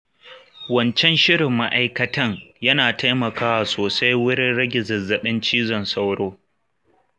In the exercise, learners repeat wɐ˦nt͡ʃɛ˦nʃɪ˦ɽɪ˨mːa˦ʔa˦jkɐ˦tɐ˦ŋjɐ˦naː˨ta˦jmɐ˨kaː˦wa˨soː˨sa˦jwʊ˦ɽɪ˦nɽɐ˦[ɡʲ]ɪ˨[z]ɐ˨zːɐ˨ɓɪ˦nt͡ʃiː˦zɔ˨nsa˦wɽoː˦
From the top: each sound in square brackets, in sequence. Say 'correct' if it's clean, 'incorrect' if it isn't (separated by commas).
correct, correct